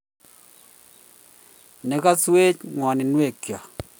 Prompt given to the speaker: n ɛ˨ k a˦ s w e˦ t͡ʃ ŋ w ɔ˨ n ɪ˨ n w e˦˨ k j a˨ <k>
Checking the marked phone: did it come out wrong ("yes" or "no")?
yes